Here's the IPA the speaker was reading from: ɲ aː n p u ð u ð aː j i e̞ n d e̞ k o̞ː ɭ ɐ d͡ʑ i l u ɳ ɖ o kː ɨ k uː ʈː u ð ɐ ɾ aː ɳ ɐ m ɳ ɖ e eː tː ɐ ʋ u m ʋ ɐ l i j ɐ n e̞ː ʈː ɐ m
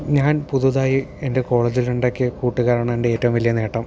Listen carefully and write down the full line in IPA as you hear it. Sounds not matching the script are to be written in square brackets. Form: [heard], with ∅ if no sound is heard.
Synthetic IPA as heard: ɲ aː n p u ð u ð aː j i e̞ n d e̞ k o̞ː ɭ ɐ d͡ʑ i l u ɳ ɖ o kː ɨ k uː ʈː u [ɣ] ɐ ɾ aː ɳ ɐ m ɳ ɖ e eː tː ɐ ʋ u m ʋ ɐ l i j ɐ n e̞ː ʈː ɐ m